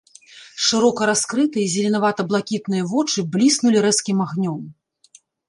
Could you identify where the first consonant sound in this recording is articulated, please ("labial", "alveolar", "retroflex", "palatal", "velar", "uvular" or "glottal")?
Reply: retroflex